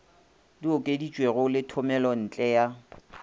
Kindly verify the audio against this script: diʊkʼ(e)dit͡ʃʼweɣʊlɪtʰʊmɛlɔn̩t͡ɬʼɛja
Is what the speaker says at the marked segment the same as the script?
yes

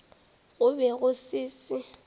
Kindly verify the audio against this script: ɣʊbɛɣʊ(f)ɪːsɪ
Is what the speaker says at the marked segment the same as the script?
no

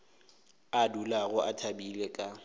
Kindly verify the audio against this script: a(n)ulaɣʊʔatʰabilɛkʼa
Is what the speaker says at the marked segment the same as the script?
no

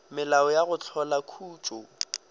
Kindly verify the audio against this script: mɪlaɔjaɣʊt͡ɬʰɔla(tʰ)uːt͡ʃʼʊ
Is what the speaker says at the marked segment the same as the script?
no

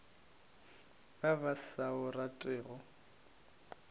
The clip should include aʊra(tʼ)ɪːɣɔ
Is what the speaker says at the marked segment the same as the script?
yes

